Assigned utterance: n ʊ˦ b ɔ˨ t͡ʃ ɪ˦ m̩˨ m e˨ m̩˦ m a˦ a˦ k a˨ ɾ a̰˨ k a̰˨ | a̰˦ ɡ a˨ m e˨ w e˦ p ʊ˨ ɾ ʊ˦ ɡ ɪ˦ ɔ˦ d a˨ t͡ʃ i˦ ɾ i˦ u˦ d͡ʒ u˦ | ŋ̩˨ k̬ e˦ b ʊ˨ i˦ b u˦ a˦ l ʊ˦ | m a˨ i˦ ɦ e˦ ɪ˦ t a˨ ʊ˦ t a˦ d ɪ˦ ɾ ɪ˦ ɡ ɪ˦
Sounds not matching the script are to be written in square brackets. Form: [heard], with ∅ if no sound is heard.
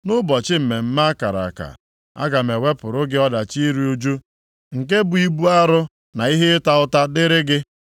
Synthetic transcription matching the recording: n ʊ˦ b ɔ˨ t͡ʃ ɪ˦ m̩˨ m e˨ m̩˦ m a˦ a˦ k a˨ ɾ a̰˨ k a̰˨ | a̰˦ ɡ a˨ m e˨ w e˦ p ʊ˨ ɾ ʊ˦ ɡ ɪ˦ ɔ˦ d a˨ t͡ʃ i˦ ɾ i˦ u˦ d͡ʒ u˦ | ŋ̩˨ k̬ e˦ b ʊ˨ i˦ b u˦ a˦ [ɾ] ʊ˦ | [n] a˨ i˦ ɦ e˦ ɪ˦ t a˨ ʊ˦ t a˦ d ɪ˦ ɾ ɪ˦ ɡ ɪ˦